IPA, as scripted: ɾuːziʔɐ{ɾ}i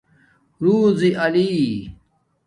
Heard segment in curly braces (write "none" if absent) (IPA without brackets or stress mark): l